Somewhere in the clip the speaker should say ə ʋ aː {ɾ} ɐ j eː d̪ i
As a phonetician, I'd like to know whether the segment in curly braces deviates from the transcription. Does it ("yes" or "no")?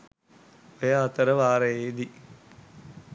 no